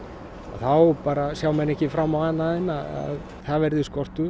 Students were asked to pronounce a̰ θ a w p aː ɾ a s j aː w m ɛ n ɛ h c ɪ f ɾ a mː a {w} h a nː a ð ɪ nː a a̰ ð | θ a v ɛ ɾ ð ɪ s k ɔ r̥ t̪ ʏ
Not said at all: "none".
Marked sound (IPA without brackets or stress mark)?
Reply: w